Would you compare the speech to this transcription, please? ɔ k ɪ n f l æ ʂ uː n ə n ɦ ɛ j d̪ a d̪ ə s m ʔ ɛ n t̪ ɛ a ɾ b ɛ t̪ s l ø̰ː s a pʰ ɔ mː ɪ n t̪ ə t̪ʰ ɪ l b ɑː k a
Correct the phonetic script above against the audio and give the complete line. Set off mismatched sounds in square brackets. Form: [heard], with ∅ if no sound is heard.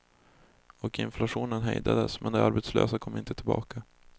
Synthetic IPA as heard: ɔ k ɪ n f l [a] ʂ uː n ə n ɦ ɛ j d̪ a d̪ ə s m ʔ ɛ n [d̪] ɛ a ɾ b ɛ t̪ s l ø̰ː s a [kʰ] ɔ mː ɪ n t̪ ə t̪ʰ ɪ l b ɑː k a